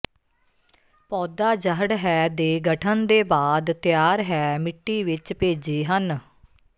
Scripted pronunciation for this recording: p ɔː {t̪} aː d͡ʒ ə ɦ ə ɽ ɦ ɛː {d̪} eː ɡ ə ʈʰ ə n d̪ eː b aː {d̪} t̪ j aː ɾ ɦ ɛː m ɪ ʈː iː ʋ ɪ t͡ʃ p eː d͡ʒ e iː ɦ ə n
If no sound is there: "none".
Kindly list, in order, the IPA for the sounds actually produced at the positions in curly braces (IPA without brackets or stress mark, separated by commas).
d̪, d̪, d̪